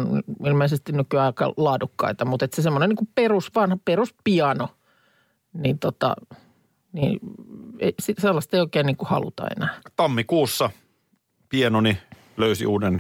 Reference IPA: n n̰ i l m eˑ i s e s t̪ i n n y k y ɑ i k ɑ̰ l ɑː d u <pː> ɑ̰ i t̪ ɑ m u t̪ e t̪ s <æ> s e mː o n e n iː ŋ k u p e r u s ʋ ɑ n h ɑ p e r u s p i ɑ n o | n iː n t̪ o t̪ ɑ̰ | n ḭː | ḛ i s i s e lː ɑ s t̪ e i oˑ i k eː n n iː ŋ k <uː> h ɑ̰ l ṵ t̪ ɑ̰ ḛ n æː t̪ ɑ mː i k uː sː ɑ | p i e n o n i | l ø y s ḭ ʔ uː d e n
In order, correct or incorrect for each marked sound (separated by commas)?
incorrect, incorrect, incorrect